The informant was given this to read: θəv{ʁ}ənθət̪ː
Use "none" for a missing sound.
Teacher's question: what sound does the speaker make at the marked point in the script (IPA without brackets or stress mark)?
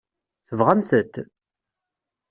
ʁ